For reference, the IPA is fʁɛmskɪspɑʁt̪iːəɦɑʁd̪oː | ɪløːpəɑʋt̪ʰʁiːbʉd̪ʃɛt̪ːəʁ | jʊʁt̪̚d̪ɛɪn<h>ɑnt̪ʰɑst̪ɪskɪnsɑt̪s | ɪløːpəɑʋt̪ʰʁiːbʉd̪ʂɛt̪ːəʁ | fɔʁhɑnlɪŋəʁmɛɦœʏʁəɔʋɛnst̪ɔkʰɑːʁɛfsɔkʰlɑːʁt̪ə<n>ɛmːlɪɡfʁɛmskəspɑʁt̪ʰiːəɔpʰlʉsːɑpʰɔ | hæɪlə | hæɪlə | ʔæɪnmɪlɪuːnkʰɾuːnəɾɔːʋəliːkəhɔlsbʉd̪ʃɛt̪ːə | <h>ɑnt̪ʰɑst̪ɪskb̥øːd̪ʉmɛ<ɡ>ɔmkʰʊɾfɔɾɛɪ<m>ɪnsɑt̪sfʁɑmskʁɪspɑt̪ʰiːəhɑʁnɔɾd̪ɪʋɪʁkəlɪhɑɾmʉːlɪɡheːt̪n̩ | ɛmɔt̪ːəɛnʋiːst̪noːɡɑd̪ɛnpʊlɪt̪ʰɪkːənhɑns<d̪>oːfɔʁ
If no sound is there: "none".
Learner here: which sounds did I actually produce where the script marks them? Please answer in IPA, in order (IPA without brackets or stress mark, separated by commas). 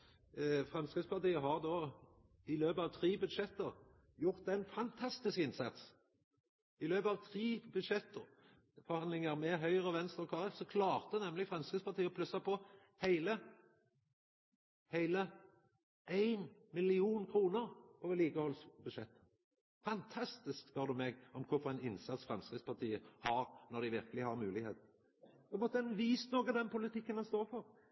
f, n, f, ɡ, n, t̪